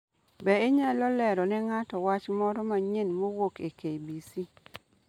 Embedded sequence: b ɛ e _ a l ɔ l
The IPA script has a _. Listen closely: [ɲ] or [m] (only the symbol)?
ɲ